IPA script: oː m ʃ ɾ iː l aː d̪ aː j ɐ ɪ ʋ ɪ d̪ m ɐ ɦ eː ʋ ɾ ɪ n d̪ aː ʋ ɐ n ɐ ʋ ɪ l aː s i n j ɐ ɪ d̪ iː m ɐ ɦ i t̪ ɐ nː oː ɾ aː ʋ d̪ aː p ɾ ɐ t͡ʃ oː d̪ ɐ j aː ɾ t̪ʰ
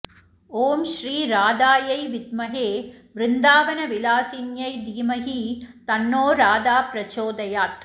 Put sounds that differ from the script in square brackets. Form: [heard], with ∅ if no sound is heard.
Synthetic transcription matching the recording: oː m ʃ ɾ iː [ɾ] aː d̪ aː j ɐ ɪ ʋ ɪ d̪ m ɐ ɦ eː ʋ ɾ ɪ n d̪ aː ʋ ɐ n ɐ ʋ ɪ l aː s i n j ɐ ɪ d̪ iː m ɐ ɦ i t̪ ɐ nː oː ɾ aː [∅] d̪ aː p ɾ ɐ t͡ʃ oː d̪ ɐ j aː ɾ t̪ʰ